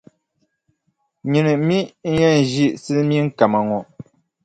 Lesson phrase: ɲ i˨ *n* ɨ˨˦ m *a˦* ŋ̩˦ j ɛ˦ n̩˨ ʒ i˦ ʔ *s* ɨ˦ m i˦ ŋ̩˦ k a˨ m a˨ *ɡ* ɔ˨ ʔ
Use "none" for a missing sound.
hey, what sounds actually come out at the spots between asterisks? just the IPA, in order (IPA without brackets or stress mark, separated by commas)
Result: n, i˦, s, ŋ